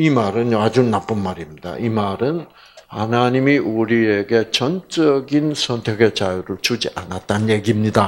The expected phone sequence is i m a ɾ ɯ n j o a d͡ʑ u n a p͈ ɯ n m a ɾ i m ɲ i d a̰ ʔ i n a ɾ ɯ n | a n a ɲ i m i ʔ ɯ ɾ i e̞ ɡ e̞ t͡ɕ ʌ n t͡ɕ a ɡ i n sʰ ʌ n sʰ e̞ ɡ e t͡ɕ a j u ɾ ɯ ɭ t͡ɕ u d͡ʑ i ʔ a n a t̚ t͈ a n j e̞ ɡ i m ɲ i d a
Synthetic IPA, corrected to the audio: i m a ɾ ɯ n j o a d͡ʑ u n a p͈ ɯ n m a ɾ i m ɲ i d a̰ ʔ i m a ɾ ɯ n | a n a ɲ i m i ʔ u ɾ i e̞ ɡ e̞ t͡ɕ ʌ n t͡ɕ ʌ ɡ i n sʰ ʌ n tʰ e̞ ɡ e t͡ɕ a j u ɾ ɯ ɭ t͡ɕ u d͡ʑ i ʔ a n a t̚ t͈ a n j e̞ ɡ i m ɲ i d a